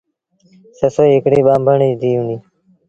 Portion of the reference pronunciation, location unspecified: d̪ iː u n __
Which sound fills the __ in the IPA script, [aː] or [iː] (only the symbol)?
iː